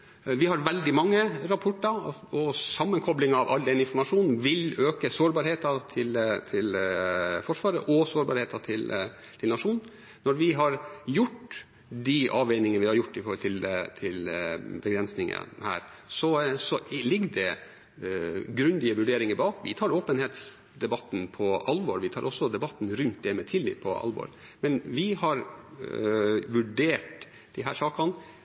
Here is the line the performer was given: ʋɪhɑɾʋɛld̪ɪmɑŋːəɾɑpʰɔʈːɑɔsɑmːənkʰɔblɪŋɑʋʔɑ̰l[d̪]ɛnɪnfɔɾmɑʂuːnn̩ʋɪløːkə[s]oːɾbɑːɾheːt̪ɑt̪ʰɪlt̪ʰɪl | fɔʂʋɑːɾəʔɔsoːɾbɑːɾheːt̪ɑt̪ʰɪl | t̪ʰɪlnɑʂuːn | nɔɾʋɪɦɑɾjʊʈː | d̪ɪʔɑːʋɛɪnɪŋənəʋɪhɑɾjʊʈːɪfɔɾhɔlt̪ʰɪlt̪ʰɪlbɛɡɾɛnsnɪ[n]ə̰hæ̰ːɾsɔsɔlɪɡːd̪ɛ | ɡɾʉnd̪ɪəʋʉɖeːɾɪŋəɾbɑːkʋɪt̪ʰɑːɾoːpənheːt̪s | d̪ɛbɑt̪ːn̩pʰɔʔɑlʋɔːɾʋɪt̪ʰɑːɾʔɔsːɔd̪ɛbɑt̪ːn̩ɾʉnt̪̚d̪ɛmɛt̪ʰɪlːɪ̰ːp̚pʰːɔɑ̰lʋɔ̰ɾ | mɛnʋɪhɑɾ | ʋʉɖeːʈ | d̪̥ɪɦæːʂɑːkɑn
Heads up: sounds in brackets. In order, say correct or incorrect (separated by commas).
correct, correct, incorrect